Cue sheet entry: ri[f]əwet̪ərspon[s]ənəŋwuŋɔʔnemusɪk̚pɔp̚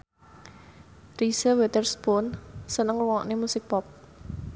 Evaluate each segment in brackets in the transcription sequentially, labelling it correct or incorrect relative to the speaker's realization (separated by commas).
incorrect, correct